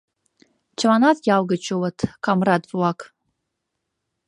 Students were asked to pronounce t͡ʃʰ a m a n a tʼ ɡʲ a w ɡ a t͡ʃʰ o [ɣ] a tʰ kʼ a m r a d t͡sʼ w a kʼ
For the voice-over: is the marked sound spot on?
no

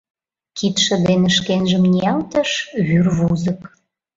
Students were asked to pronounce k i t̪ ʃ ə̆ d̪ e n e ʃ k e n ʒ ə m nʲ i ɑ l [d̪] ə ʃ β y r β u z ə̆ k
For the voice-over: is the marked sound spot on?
no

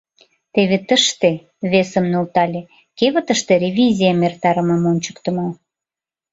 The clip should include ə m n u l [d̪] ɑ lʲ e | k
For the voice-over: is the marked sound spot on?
no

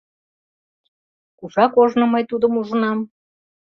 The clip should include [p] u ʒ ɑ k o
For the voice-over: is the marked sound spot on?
no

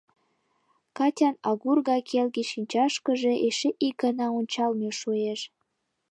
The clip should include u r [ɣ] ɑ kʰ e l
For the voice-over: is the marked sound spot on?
yes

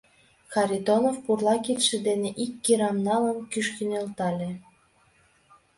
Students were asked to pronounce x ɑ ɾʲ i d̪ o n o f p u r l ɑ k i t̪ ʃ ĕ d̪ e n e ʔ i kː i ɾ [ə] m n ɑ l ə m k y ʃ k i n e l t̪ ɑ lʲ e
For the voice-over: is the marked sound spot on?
no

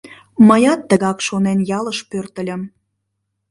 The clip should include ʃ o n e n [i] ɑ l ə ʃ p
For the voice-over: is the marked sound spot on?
no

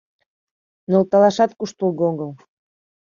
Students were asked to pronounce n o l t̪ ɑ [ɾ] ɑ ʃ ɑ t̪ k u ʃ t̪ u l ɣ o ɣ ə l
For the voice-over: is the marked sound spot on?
no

